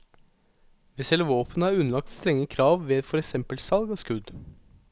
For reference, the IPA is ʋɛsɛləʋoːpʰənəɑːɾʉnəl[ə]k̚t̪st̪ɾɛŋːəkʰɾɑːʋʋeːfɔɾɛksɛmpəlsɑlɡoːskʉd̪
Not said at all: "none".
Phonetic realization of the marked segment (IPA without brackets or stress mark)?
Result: ɑ